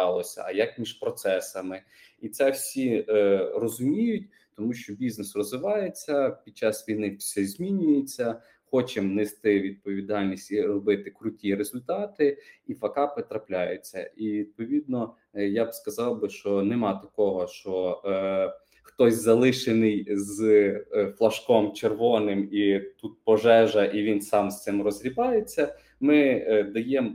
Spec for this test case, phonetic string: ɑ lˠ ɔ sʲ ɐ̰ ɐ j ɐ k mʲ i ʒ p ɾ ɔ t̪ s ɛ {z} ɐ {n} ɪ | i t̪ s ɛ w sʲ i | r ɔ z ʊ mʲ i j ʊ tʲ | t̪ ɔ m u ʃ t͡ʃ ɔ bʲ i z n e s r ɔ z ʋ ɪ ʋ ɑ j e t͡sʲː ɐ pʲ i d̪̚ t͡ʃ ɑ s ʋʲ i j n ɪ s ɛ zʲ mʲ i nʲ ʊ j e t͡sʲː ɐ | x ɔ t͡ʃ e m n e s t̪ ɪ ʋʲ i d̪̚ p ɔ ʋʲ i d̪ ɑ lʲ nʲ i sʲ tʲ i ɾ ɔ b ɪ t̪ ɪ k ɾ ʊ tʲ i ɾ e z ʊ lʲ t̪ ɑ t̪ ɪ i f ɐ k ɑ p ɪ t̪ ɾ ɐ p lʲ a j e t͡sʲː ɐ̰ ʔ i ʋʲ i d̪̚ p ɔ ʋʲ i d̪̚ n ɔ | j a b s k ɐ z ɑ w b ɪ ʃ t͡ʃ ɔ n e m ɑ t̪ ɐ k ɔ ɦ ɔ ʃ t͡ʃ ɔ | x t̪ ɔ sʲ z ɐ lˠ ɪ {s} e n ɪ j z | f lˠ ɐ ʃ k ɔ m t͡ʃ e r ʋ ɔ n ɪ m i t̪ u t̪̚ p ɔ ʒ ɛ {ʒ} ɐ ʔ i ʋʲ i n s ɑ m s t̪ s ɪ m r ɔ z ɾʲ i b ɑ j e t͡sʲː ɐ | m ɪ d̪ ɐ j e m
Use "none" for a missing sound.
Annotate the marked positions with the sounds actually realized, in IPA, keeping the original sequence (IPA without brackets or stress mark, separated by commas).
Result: s, m, ʃ, ʒ